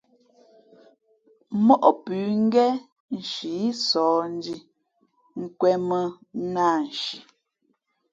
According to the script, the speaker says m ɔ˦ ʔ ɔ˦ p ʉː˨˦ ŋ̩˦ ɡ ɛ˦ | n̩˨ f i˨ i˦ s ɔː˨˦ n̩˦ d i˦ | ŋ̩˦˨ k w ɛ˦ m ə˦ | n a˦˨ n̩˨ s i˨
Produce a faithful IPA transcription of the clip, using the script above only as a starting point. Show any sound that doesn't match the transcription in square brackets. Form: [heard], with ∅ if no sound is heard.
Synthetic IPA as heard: m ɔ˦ ʔ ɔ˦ p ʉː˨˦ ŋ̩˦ ɡ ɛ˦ | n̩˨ [ʃ] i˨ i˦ s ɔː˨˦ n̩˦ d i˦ | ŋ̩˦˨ k w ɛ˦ m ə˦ | n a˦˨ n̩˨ [ʃ] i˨